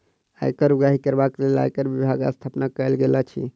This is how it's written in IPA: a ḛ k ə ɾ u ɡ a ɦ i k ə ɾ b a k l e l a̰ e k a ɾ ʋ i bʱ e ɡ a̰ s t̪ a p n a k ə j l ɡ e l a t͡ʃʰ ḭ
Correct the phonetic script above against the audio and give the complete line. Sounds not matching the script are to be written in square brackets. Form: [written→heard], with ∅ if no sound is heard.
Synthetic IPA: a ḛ k ə ɾ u ɡ a ɦ i k ə ɾ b a k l e l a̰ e k [a→ə] ɾ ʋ i bʱ [e→a] ɡ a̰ s [t̪→t̪ʰ] a p n a k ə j l ɡ e l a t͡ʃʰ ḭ